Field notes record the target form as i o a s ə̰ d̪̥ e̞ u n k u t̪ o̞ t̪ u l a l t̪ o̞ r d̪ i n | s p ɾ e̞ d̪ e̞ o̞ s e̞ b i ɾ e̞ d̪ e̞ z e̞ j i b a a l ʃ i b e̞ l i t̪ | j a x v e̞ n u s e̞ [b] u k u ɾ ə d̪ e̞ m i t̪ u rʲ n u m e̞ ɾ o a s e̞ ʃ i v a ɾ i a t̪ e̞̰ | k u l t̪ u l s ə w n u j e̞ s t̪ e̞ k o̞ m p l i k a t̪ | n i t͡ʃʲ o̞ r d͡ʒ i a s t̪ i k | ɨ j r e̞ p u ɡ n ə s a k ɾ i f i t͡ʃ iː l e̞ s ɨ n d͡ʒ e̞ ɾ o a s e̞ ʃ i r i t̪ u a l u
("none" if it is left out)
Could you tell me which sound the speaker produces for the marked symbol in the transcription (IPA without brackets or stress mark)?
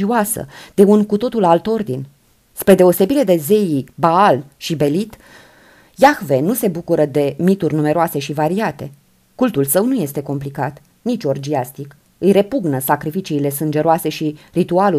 b